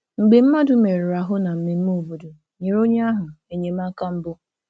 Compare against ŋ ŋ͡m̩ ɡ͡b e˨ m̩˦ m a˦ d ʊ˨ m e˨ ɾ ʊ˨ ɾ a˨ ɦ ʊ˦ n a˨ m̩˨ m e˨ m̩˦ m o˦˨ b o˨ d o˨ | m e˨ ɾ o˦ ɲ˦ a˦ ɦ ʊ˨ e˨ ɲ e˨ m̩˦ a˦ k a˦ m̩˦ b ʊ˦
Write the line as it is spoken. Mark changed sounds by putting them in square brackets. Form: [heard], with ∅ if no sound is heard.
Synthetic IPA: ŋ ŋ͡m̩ ɡ͡b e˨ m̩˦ m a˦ d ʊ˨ m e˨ ɾ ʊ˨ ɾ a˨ ɦ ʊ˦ n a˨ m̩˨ m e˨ m̩˦ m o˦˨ b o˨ d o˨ | [ɲ] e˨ ɾ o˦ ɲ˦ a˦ ɦ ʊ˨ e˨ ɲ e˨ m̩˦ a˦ k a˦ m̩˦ b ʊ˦

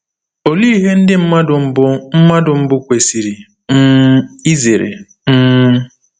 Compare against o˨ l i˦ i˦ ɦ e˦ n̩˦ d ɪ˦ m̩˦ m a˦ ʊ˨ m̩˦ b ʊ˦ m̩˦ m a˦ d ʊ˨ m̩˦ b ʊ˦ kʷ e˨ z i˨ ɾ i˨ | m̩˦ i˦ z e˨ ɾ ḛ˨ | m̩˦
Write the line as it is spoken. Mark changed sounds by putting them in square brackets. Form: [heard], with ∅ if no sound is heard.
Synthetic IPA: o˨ l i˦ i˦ ɦ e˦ n̩˦ d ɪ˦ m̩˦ m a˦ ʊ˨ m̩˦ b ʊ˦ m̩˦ m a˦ d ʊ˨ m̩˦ b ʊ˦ kʷ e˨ [s] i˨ ɾ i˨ | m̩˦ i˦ z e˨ ɾ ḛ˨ | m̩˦

